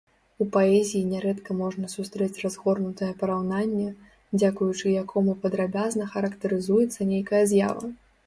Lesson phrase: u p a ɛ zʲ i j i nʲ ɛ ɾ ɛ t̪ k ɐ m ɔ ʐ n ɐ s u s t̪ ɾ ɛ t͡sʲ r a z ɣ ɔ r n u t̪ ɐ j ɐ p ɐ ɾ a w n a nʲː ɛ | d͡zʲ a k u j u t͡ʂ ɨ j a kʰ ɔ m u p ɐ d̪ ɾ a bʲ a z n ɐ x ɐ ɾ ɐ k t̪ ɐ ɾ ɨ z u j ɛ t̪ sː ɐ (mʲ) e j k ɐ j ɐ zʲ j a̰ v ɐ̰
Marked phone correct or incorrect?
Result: incorrect